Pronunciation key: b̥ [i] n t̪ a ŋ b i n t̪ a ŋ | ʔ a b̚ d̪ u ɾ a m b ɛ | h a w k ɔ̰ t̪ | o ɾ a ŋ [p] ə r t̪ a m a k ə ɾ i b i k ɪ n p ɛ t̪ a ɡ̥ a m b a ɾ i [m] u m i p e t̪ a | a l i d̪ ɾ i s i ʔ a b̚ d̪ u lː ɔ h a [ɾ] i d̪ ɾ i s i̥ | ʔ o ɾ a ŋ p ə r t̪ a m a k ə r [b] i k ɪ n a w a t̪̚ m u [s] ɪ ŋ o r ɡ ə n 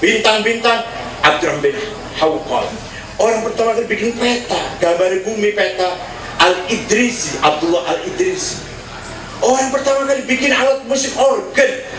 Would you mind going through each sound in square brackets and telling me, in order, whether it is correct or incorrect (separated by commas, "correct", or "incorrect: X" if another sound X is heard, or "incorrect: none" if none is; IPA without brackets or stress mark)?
correct, correct, incorrect: b, incorrect: l, correct, correct